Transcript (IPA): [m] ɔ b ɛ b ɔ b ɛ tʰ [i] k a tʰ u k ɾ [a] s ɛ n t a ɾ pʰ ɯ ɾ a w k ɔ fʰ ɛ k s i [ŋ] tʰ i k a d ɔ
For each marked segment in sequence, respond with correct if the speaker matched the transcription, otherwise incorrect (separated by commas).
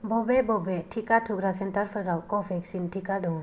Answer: incorrect, correct, correct, incorrect